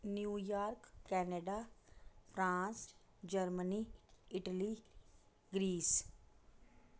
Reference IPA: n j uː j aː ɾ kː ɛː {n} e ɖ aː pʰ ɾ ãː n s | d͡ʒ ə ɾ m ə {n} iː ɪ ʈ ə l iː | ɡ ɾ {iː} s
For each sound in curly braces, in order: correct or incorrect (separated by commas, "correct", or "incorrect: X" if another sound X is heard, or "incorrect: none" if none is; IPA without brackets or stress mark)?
correct, correct, correct